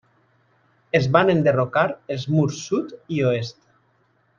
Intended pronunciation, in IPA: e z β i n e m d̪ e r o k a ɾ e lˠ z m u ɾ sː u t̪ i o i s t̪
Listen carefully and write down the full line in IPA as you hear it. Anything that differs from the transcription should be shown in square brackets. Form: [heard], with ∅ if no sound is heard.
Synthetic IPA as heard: e z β [a] n e [n] d̪ e r o k a ɾ e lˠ z m u ɾ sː u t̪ i o [e] s t̪